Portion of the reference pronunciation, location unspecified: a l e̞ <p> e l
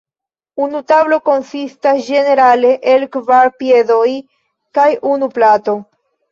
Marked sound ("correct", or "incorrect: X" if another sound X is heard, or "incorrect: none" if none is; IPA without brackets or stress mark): incorrect: ʔ